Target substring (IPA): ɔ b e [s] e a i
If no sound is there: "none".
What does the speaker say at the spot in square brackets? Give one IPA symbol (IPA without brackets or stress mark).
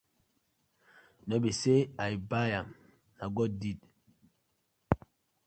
s